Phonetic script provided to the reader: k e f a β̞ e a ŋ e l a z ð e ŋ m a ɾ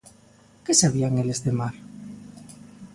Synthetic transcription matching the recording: k e s a β̞ i a ŋ e l e z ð e m a ɾ